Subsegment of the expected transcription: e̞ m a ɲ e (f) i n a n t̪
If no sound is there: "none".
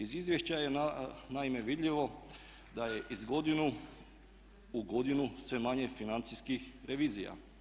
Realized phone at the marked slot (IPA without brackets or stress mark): f